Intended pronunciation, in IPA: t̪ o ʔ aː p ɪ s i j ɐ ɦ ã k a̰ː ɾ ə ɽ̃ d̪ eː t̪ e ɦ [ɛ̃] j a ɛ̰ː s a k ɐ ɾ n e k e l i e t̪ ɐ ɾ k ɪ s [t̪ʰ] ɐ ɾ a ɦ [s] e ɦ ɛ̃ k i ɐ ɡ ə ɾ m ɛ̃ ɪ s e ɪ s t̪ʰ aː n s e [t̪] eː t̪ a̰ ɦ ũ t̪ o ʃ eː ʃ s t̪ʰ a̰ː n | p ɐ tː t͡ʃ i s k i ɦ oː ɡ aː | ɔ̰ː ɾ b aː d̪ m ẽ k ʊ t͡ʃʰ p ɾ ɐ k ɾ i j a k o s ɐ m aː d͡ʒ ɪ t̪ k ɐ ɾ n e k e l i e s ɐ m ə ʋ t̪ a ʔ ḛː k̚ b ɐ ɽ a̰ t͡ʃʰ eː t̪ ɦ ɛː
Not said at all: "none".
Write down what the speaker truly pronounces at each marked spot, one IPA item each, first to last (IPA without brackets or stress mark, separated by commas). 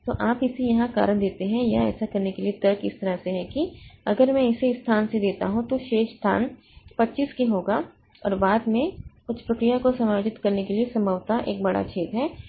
ɛ̃, t̪, s, d̪